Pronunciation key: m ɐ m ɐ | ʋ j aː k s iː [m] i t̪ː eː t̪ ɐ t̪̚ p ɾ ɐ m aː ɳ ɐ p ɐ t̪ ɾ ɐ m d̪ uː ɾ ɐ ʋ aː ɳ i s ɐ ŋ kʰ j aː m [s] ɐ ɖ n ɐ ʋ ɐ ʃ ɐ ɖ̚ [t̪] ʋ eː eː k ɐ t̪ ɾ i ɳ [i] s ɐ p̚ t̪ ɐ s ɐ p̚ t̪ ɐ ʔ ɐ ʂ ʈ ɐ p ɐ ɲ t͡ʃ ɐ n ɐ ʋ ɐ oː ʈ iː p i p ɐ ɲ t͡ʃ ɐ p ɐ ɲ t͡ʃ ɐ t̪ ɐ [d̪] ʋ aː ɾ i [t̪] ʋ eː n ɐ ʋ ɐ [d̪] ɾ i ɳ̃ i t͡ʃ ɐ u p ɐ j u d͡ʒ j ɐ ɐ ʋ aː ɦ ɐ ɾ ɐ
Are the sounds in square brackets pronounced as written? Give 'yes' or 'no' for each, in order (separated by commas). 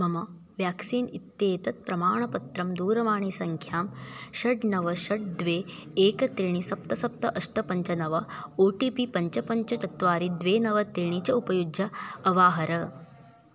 no, no, no, yes, no, no, no